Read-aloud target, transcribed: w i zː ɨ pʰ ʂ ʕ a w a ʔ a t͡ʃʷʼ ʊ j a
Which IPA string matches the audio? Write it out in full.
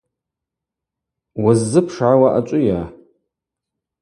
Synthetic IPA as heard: w a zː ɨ pʰ ʂ ʕ a w a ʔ a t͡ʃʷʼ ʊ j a